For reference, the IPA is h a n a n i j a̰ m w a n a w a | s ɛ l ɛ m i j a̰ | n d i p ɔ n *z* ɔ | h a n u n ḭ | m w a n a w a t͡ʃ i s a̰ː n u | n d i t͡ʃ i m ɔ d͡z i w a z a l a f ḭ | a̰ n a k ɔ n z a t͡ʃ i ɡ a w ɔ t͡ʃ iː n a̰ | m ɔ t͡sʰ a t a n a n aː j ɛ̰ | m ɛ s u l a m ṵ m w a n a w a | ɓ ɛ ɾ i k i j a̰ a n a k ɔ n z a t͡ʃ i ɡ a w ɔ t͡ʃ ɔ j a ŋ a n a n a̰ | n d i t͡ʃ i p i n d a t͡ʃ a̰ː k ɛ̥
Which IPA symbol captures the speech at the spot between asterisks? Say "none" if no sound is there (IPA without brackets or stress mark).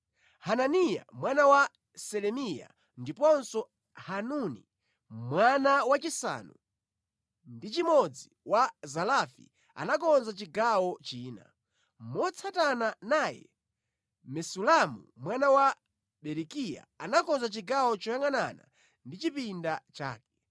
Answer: s